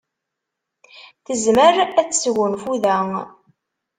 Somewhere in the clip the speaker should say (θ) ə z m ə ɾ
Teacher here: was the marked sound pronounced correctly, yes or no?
yes